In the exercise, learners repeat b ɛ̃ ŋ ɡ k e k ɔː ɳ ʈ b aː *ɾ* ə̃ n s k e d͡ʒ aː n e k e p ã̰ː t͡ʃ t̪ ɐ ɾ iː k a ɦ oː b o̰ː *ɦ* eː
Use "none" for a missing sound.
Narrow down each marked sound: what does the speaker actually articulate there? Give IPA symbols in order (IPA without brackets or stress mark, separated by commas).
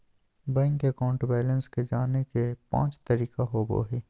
l, ɦ